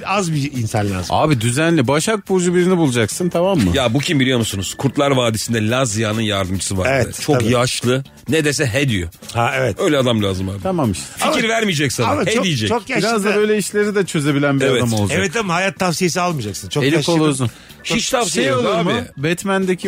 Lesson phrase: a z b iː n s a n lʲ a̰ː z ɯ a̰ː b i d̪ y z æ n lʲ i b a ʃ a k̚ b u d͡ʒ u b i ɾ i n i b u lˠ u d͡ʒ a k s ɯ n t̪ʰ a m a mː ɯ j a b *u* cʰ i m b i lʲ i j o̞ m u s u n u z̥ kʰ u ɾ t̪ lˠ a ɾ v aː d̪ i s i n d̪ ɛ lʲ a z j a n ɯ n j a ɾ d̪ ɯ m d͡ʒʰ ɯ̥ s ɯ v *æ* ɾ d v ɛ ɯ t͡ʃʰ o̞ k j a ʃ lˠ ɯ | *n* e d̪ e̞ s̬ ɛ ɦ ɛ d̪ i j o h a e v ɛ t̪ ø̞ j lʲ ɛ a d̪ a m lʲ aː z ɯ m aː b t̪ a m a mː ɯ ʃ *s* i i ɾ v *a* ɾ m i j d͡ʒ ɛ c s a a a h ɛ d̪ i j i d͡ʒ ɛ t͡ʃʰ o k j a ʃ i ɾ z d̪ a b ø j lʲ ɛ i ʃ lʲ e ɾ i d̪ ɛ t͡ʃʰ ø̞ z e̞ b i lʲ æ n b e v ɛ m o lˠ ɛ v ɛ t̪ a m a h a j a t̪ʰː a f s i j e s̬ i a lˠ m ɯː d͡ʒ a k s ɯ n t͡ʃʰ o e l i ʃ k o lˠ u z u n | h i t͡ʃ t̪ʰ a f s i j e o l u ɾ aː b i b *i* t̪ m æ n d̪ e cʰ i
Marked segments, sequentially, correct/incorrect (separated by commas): correct, incorrect, correct, incorrect, incorrect, incorrect